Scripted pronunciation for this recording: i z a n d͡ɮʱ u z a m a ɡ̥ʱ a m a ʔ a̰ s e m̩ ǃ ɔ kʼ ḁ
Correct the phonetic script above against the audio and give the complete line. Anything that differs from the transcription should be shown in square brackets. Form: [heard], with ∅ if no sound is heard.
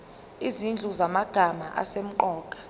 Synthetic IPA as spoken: i z [i] n d͡ɮʱ u z a m a ɡ̥ʱ a m a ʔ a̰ s e m̩ ǃ [ɔː] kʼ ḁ